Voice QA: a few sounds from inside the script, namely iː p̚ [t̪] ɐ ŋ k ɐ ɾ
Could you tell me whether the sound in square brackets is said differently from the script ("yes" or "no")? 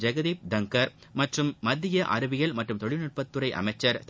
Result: yes